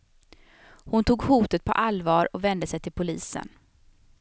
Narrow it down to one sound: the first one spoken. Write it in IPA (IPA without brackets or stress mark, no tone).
h